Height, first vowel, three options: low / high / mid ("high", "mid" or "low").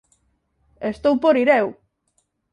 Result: mid